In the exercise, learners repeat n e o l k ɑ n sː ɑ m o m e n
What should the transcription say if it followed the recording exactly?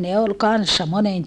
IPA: n e o l k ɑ n sː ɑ m o n e n